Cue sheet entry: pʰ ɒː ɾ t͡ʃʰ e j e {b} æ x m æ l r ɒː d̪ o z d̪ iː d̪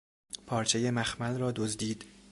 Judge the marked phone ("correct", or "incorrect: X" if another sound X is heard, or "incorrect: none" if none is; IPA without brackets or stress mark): incorrect: m